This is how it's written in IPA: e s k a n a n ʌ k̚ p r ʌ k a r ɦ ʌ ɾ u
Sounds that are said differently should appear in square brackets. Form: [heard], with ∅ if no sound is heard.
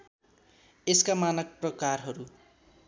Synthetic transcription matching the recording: e s k a [m] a n ʌ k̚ p r ʌ k a r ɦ ʌ ɾ u